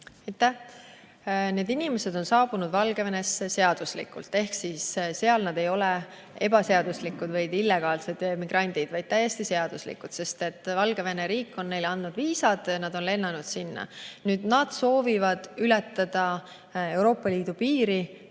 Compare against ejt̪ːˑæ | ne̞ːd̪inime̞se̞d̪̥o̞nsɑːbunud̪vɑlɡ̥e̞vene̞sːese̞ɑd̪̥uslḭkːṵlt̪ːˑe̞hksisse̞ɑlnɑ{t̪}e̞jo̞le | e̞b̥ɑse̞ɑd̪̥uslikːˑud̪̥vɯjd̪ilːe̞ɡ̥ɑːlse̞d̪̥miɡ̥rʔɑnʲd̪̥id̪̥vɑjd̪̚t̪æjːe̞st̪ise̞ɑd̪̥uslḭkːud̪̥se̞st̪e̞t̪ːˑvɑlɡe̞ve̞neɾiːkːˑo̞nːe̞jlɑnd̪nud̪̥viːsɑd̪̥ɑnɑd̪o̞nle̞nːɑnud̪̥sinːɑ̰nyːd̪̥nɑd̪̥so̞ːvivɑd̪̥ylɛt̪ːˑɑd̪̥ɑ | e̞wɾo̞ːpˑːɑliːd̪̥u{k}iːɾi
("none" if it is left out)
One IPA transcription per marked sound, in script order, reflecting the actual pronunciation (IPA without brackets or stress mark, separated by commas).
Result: d̪, p